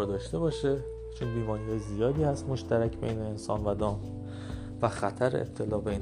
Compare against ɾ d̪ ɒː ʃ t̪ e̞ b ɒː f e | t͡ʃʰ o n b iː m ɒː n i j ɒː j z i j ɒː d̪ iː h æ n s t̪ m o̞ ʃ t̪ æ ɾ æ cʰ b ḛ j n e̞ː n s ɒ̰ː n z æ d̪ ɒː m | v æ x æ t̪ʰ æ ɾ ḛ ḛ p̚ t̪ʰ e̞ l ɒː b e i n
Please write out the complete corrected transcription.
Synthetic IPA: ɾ d̪ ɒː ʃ t̪ e̞ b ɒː ʃ e | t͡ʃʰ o n b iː m ɒː n i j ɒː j z i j ɒː d̪ iː h æ s t̪ m o̞ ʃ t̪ æ ɾ æ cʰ b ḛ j n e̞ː n s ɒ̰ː n v æ d̪ ɒː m | v æ x æ t̪ʰ æ ɾ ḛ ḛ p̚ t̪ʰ e̞ l ɒː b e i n